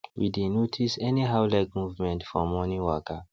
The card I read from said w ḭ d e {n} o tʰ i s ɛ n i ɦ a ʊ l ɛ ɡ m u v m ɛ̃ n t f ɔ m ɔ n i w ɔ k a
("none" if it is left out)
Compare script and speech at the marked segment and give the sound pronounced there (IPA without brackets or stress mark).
n